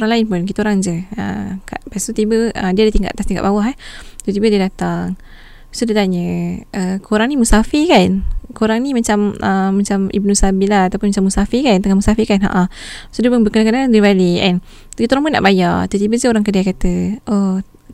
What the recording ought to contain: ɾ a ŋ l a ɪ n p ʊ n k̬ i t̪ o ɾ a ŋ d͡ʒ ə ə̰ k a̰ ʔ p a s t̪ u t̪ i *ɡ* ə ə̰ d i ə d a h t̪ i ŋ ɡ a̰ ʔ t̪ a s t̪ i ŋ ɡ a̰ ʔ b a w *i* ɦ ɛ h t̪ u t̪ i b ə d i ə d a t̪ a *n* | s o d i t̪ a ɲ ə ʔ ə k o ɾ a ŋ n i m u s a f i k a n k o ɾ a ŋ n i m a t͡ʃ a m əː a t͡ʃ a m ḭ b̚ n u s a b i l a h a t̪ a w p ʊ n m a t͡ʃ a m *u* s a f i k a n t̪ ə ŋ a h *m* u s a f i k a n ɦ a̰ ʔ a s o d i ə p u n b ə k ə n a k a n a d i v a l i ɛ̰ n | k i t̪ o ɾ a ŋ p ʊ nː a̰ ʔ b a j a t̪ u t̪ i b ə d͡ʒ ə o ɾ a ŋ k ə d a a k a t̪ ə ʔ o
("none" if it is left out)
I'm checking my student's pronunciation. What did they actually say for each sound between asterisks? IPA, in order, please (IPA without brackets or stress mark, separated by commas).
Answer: b, a, ŋ, u, m